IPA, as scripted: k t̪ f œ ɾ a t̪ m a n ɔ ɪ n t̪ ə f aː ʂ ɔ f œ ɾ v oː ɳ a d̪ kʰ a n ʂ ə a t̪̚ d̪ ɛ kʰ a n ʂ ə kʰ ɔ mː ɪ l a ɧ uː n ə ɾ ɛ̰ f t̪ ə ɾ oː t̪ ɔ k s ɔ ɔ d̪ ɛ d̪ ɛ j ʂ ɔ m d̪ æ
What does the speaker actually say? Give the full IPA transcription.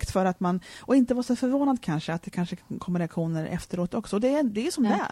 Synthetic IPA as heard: k t̪ f œ ɾ a t̪ m a n ɔ ɪ n t̪ ə v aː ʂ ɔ f œ ɾ v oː n a d̪ kʰ a n ʂ ə a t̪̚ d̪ ɛ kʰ a n ʂ ə kʰ ɔ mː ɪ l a ɧ uː n ə ɾ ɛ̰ f t̪ ə ɾ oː t̪ ɔ k s ɔ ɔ d̪ ɛ d̪ ɛ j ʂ ɔ m d̪ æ